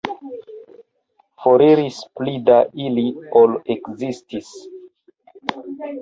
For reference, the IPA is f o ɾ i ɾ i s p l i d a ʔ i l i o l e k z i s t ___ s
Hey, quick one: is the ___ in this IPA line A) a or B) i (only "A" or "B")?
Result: B